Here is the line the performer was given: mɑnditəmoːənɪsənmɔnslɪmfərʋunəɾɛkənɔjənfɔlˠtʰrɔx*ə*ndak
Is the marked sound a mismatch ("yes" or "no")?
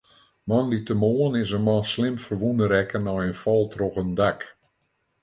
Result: no